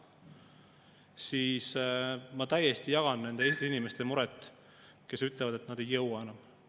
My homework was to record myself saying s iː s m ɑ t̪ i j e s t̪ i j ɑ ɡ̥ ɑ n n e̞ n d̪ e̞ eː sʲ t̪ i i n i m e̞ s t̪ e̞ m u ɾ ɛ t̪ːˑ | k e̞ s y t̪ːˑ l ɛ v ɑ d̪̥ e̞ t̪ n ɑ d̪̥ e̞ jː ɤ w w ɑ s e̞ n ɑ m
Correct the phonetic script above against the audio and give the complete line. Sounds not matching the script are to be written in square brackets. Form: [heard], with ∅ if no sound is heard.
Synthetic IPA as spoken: s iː s m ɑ t̪ [æ] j e s t̪ i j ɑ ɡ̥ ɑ n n e̞ n d̪ e̞ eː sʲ t̪ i i n i m e̞ s t̪ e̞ m u ɾ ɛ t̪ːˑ | k e̞ s y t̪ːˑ l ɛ v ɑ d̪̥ e̞ t̪ n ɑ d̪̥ e̞ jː ɤ w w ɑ [∅] e̞ n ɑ m

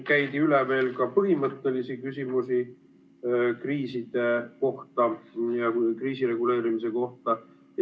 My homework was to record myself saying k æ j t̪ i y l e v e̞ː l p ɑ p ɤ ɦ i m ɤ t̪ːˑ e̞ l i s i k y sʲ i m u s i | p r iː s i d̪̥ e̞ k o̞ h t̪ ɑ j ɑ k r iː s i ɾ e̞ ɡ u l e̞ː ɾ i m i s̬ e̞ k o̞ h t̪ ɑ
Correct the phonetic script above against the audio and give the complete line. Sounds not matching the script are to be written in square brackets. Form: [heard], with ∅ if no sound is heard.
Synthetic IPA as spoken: k æ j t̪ i y l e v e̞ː l [k] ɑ p ɤ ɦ i m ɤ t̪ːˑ e̞ l i s i k y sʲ i m u s i | [k] r iː s i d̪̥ e̞ k o̞ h t̪ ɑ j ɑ k r iː s i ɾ e̞ ɡ u l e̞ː ɾ i m i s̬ e̞ k o̞ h t̪ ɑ

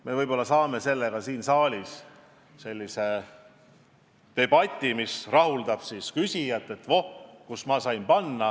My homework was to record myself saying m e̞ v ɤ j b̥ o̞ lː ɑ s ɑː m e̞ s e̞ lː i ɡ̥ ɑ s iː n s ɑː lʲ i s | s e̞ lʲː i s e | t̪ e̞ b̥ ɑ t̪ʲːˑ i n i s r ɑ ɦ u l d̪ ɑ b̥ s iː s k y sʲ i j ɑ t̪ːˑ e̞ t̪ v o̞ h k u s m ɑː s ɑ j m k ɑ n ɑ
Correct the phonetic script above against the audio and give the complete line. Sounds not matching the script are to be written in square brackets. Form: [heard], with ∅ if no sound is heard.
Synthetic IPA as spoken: m e̞ v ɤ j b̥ o̞ lː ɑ s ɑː m e̞ s e̞ lː [e] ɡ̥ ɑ s iː n s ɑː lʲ i s | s e̞ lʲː i s e | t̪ e̞ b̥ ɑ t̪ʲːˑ i [m] i s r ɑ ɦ u l d̪ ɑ b̥ s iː s k y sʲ i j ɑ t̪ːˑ e̞ t̪ v o̞ h k u s m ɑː s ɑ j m [p] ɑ [nː] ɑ

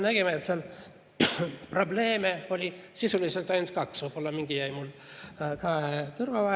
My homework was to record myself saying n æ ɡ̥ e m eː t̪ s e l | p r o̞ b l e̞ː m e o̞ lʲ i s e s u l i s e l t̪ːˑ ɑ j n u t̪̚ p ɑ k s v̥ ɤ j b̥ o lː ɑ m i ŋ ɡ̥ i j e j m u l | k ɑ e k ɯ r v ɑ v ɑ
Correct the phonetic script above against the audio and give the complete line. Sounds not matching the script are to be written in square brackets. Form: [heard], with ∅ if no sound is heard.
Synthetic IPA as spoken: n æ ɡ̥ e m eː t̪ s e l | p r o̞ b l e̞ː m e o̞ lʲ i s [i] s u l i s e l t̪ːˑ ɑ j n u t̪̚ [k] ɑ k s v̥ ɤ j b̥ o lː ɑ m i ŋ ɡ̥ i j [æ] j m u l | k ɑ e k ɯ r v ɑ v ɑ

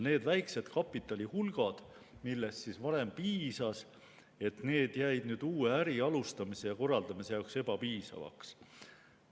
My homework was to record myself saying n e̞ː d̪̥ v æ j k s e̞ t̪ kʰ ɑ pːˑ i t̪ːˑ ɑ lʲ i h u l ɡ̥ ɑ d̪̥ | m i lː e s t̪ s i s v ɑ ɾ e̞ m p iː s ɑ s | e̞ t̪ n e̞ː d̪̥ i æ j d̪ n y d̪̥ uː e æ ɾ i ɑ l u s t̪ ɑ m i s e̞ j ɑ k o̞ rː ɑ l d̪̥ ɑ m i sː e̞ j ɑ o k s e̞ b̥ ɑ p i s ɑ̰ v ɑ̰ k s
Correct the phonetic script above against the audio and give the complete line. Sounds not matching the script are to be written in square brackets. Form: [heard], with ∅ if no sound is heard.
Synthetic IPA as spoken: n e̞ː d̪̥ v æ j k s e̞ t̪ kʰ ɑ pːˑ i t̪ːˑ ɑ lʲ i h u l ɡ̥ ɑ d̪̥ | m i lː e s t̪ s i s v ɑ ɾ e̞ m p iː s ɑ s | e̞ t̪ n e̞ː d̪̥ [j] æ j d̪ n [yː] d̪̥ uː e æ ɾ i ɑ l u s t̪ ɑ m i s e̞ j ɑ k o̞ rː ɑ l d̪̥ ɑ m i [s] e̞ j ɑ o k s e̞ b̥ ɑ p [iː] s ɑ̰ v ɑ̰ k s

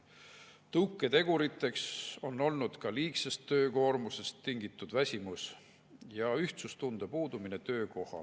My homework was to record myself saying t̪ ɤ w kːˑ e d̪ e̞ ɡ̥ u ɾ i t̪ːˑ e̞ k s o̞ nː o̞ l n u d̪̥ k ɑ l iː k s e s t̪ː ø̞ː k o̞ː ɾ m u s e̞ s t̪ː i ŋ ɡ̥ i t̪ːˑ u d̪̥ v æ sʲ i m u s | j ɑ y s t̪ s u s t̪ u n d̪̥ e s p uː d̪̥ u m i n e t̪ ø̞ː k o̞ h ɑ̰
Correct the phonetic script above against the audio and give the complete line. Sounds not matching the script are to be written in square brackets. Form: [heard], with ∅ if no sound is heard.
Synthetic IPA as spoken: t̪ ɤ w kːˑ e [t̪] e̞ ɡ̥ u ɾ i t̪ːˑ e̞ k s o̞ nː o̞ l n u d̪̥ k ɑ l iː k s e s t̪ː ø̞ː k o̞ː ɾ m u s e̞ s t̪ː i ŋ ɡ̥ i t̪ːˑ u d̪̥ v æ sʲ i m u s | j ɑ y [h] t̪ s u s t̪ u n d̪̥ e [∅] p uː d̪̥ u m i n e t̪ ø̞ː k o̞ h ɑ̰

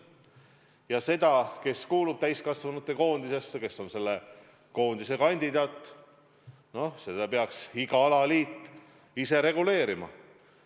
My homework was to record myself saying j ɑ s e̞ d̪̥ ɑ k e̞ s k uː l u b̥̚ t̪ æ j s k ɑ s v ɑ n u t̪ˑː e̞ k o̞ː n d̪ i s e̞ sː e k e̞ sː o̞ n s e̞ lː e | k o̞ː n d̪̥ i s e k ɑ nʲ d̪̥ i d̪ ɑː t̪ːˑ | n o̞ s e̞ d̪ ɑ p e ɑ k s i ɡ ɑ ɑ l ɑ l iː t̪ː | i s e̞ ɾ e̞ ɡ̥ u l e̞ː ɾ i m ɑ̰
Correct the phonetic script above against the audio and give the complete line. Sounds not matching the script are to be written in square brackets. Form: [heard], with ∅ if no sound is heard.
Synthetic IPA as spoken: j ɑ s e̞ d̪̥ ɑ k e̞ s k uː l u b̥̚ t̪ æ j s k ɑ s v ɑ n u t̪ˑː e̞ k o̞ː n d̪ i s e̞ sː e k e̞ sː o̞ n s e̞ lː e | k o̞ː n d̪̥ i s e k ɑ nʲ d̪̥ i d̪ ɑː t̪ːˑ | n o̞ s e̞ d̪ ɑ p e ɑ k s i ɡ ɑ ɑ l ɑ l iː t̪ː | i s e̞ ɾ e̞ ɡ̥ u l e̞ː ɾ i m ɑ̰

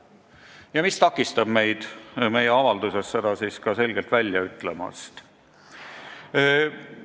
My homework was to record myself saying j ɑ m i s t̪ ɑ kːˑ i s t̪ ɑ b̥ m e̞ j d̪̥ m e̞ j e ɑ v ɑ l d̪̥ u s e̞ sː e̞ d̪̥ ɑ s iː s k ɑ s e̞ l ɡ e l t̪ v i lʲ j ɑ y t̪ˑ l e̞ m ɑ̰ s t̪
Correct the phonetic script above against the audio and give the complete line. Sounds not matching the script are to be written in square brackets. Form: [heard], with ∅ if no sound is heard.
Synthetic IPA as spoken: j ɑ m i s t̪ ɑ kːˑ i s t̪ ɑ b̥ m e̞ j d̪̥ m e̞ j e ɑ v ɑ l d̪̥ u s e̞ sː e̞ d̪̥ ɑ s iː s k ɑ s e̞ l ɡ e l t̪ v [æ] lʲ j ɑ y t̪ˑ l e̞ m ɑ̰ s t̪

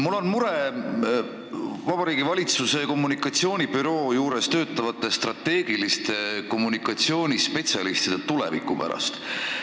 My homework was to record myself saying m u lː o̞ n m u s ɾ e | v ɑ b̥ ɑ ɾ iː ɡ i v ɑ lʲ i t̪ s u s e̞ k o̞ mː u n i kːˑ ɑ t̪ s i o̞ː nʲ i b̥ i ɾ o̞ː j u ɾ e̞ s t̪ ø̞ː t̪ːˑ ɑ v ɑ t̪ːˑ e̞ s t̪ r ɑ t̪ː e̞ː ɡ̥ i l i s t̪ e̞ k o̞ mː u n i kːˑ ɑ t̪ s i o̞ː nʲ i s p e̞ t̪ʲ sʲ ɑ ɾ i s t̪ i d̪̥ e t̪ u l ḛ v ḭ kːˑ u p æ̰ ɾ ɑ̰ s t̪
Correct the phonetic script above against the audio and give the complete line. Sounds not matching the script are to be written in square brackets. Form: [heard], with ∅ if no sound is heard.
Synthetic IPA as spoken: m u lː o̞ n m u [∅] ɾ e | v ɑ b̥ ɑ ɾ iː ɡ i v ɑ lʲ i t̪ s u s e̞ k o̞ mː u n i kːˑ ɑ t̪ s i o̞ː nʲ i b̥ [y] ɾ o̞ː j [uː] ɾ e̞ s t̪ ø̞ː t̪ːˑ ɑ v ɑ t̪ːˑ e̞ s t̪ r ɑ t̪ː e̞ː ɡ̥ i l i s t̪ e̞ k o̞ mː u n i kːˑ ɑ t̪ s i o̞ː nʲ i s p e̞ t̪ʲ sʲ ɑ [l] i s t̪ i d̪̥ e t̪ u l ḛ v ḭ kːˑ u p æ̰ ɾ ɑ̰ s t̪

